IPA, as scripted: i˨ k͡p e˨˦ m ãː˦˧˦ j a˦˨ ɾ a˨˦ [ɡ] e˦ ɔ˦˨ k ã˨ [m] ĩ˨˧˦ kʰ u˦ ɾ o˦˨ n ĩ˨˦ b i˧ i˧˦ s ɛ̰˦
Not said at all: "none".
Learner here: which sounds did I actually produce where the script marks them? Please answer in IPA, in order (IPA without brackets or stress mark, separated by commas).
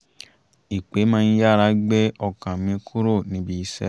ɡ͡b, m